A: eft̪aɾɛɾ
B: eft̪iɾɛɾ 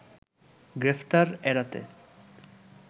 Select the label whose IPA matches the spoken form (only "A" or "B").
A